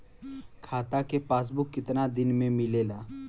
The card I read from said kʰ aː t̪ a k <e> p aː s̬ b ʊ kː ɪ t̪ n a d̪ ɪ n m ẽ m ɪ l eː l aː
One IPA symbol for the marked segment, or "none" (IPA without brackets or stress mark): e